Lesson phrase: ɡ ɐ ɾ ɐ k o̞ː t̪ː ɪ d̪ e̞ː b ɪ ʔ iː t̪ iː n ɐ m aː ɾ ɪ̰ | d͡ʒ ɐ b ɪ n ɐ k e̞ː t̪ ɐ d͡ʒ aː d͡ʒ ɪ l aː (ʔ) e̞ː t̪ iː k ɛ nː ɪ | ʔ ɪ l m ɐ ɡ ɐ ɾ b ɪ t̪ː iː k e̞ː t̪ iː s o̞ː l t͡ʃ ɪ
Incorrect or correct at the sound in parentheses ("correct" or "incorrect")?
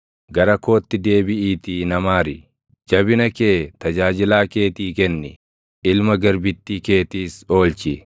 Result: incorrect